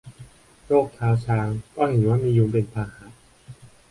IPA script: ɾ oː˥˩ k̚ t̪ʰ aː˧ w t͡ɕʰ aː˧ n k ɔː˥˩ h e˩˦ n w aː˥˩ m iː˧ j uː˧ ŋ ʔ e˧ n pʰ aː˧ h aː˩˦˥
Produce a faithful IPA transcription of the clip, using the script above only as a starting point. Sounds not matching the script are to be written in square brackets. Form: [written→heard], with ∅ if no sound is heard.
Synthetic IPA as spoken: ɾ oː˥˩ k̚ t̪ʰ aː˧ w t͡ɕʰ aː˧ [n→ŋ] k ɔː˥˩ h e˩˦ n w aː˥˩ m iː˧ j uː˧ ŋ [ʔ→p] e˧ n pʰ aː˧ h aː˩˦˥